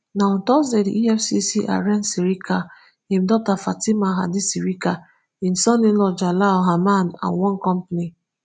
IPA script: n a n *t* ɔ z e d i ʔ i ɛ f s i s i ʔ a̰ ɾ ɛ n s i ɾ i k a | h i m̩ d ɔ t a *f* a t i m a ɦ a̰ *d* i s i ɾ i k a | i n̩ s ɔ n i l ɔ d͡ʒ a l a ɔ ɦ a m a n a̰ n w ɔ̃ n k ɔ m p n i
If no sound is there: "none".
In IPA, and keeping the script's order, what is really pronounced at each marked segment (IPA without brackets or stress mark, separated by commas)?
t, f, d